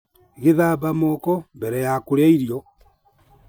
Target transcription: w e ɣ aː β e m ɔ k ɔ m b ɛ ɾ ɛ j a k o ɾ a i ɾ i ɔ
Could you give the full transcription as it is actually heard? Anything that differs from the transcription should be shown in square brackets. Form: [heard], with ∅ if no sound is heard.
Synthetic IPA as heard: [ɣ] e [ð] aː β [a] m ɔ k ɔ m b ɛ ɾ ɛ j a k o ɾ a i ɾ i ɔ